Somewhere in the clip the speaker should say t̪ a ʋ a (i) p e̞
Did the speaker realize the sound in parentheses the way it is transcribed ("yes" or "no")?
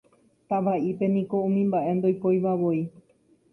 yes